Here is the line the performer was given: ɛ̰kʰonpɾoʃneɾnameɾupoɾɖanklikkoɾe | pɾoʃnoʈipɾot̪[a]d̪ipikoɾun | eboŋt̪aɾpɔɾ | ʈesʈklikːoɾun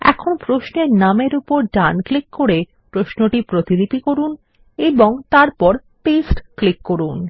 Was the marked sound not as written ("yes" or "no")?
yes